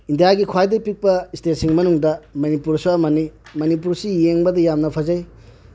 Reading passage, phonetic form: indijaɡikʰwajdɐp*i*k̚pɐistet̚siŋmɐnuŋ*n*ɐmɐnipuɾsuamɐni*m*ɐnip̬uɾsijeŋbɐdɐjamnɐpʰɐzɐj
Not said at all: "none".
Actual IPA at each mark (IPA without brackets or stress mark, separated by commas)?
i, d, m